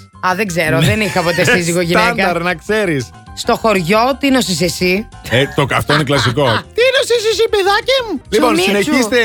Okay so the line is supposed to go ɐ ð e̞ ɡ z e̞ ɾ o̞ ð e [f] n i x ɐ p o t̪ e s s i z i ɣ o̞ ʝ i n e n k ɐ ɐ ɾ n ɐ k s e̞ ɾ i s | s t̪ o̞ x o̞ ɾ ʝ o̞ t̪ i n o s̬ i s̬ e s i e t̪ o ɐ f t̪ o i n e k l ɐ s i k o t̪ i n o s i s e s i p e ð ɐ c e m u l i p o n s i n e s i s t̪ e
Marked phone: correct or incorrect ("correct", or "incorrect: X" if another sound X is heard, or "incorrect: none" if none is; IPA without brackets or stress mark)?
incorrect: none